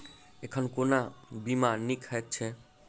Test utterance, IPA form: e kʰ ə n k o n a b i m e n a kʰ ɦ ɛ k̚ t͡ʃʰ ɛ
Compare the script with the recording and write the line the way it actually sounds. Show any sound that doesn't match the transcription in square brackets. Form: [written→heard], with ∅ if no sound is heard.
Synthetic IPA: e kʰ ə n k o n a b i m [e→a] n [a→i] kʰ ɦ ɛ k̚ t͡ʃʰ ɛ